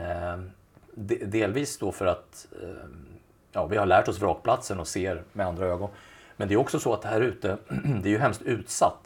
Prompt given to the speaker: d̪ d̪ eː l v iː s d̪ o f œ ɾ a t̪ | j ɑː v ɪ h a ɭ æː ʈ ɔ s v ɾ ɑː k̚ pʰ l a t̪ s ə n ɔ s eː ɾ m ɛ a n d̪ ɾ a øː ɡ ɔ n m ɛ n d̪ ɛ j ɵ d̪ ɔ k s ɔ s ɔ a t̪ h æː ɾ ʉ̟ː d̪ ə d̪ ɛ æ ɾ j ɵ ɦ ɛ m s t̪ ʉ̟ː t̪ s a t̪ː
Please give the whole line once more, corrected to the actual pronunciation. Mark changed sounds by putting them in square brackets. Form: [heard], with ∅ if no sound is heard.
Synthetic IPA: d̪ d̪ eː l v iː s d̪ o f œ ɾ a t̪ | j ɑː v ɪ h a ɭ æː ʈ ɔ s v ɾ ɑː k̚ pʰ l a t̪ s ə n ɔ s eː ɾ m ɛ a n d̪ ɾ a øː ɡ ɔ n m ɛ n d̪ ɛ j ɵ [∅] ɔ k s ɔ s ɔ a t̪ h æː ɾ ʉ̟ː [t̪] ə d̪ ɛ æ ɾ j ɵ ɦ ɛ m s t̪ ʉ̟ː t̪ s a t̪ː